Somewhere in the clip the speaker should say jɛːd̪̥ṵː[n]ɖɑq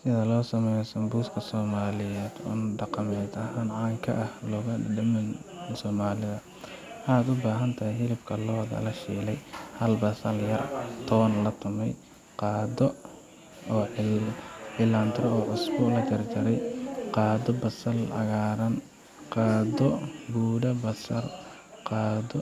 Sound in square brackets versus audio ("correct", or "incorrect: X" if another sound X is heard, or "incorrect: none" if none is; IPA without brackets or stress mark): correct